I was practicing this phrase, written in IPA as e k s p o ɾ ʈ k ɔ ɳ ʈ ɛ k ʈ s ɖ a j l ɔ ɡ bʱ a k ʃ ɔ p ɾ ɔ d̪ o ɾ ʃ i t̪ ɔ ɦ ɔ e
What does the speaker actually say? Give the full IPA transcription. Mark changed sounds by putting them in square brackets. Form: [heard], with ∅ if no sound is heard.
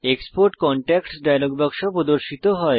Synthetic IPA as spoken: e k s p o ɾ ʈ k ɔ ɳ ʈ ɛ k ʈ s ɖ a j l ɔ ɡ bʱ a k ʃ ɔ p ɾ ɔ d̪ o ɾ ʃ i t̪ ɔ ɦ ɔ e

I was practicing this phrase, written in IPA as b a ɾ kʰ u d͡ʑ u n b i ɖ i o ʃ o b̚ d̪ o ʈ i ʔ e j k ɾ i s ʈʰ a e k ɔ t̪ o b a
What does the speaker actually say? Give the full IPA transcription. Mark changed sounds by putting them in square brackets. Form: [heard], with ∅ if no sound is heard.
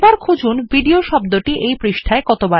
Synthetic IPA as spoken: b a ɾ kʰ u d͡ʑ u n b i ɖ i o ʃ [ɔ] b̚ d̪ o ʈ i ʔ e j [p] ɾ i [ʃ] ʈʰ a e k ɔ t̪ o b a

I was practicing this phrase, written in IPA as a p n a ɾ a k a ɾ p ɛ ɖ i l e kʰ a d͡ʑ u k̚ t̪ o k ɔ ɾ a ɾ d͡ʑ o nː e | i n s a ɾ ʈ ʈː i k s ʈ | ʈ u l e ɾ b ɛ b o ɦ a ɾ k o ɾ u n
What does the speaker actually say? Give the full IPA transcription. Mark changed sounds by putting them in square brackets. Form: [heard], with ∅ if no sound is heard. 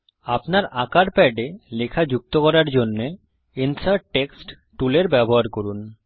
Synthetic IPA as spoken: a p n a ɾ a k a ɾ p ɛ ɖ [e] l e kʰ a d͡ʑ u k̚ t̪ o k ɔ ɾ a ɾ d͡ʑ o nː e | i n s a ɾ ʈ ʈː [e] k s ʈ | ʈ u l e ɾ b ɛ b o ɦ a ɾ k o ɾ u n

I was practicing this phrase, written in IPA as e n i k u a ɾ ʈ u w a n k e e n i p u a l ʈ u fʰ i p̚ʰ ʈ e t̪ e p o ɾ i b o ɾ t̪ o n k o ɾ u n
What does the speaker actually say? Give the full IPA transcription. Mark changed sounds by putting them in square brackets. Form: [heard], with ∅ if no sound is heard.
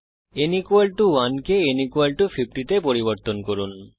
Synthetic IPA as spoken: e n i k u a [l] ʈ u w a n k e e n i [k] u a l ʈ u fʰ i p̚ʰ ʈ [i] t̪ e p o ɾ i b o ɾ t̪ o n k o ɾ u n

